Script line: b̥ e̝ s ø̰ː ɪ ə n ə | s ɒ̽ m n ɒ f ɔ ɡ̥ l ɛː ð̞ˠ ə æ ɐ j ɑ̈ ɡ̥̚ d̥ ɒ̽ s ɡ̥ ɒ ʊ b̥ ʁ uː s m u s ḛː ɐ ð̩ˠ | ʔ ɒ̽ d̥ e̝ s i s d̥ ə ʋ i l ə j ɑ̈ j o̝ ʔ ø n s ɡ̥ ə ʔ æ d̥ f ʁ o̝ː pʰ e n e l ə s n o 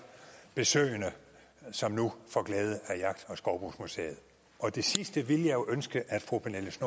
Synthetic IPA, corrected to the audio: b̥ e̝ s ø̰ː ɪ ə n ə | s ɒ̽ m n u f ɒ ɡ̥ l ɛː ð̞ˠ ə æ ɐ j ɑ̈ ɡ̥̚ d̥ ɒ̽ s ɡ̥ ɒ ʊ b̥ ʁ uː s m u s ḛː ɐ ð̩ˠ | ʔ ɒ̽ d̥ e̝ s i s d̥ ə ʋ i l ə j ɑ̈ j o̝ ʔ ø n s ɡ̥ ə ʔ æ d̥ f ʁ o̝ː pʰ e n e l ə s n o